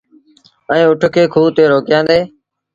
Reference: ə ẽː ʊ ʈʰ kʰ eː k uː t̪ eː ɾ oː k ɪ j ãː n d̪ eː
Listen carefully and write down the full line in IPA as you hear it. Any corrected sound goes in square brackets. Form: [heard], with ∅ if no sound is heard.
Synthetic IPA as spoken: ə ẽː ʊ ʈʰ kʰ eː [kʰ] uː t̪ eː ɾ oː k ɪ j ãː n d̪ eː